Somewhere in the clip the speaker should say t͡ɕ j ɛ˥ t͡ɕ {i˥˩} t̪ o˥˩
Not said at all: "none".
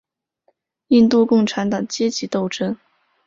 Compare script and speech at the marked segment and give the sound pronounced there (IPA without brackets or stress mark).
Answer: i˧˥